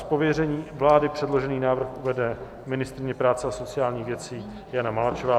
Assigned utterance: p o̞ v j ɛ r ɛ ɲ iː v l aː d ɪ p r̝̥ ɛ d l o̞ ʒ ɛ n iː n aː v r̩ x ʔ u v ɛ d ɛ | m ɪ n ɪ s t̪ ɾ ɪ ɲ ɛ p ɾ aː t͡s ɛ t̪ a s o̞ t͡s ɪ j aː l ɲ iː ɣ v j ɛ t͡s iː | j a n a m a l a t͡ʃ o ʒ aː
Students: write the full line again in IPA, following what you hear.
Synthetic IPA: p o̞ v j ɛ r ɛ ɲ iː v l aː d ɪ p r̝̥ ɛ d l o̞ ʒ ɛ n iː n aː v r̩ x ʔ u v ɛ d ɛ | m ɪ n ɪ s t̪ ɾ ɪ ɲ ɛ p ɾ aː t͡s ɛ a s o̞ t͡s ɪ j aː l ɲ iː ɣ v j ɛ t͡s iː | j a n a m a l a t͡ʃ o v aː